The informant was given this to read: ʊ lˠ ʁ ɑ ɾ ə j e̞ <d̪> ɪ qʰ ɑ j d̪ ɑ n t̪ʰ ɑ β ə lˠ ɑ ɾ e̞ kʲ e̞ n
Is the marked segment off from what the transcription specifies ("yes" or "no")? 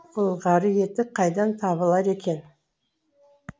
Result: yes